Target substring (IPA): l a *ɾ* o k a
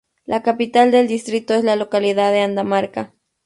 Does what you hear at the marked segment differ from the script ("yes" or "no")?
yes